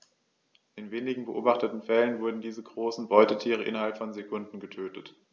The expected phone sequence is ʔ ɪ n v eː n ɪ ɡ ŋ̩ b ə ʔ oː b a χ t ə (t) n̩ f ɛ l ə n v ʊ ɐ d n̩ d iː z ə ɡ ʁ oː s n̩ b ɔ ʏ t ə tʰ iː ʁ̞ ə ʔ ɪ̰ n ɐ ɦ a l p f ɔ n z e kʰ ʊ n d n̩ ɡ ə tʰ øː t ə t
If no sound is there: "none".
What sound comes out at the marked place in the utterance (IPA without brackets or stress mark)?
t